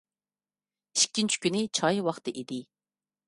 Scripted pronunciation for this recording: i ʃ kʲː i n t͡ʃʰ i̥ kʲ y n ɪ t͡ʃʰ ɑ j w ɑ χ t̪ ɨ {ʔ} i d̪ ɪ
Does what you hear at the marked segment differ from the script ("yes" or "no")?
no